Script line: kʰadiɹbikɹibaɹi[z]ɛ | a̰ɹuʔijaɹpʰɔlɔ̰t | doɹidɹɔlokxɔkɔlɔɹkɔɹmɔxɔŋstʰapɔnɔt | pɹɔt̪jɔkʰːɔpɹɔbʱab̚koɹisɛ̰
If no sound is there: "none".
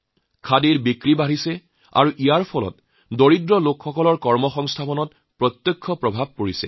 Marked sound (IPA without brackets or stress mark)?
s